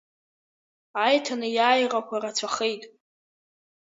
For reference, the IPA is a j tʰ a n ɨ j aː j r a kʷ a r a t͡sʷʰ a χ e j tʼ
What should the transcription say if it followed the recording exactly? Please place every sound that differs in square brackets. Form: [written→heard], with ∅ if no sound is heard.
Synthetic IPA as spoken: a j tʰ a n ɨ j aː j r a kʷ a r a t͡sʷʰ a χ e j tʼ